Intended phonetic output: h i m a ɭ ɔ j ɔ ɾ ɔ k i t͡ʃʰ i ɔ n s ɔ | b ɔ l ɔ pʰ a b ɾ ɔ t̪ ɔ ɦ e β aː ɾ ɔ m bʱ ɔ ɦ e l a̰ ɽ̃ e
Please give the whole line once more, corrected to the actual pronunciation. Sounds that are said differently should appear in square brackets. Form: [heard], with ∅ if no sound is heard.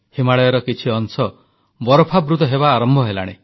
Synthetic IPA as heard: h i m a ɭ ɔ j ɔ ɾ ɔ k i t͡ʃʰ i ɔ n s ɔ | b ɔ [ɾ] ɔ pʰ a b ɾ [u] t̪ ɔ ɦ e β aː ɾ ɔ m bʱ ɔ ɦ e l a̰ ɽ̃ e

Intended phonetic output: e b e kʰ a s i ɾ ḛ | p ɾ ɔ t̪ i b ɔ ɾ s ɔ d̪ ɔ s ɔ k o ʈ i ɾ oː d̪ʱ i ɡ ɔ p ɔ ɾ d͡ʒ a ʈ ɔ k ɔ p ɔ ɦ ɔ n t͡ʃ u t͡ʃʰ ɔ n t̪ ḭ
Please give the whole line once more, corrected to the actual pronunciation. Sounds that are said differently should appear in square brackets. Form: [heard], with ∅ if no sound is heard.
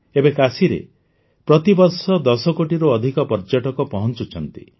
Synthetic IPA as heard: e b e [k] a s i ɾ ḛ | p ɾ ɔ t̪ i b ɔ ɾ s ɔ d̪ ɔ s ɔ k o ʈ i ɾ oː d̪ʱ i [k] ɔ p ɔ ɾ d͡ʒ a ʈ ɔ k ɔ p ɔ ɦ ɔ n t͡ʃ u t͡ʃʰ ɔ n t̪ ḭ

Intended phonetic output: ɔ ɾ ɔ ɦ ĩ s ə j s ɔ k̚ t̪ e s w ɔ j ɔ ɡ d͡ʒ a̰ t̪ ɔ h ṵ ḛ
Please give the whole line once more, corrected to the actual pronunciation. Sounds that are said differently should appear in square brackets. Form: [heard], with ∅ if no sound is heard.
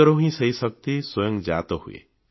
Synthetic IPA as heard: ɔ ɾ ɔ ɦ ĩ s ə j s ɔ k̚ t̪ [i] s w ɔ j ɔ [ŋ] d͡ʒ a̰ t̪ ɔ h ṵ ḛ

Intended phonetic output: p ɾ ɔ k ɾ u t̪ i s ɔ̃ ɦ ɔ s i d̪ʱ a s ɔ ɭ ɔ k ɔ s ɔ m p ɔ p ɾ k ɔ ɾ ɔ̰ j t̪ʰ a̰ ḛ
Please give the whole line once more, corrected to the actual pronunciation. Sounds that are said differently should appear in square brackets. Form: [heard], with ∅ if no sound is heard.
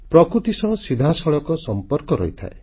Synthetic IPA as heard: p ɾ ɔ k ɾ u t̪ i s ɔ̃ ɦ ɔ s i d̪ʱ a s ɔ ɭ ɔ k ɔ s ɔ m p ɔ [∅] ɾ k ɔ ɾ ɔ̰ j t̪ʰ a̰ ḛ

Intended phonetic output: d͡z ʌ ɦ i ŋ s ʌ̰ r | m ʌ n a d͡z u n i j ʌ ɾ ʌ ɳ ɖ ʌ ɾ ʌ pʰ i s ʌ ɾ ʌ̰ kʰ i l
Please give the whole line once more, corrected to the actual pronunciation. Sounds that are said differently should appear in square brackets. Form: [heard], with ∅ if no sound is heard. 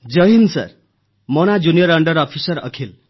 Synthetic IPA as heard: d͡z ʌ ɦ i [n] s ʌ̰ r | m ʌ n a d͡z u n i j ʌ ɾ ʌ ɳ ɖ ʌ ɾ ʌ pʰ i s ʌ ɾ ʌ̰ kʰ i l

